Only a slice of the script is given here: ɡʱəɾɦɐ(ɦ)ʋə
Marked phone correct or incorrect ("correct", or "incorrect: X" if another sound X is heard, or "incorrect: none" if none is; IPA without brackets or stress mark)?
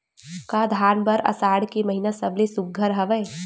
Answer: incorrect: none